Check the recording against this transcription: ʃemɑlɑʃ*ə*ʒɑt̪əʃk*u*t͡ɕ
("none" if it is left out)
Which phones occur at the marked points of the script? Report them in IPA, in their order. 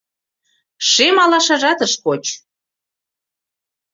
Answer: ɑ, o

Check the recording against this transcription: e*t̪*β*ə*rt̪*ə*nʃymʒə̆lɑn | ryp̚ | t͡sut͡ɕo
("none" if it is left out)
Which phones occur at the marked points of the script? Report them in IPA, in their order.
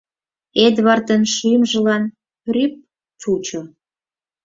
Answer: d̪, ɑ, ə

